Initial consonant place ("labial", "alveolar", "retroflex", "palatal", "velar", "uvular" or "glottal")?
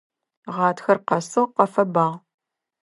uvular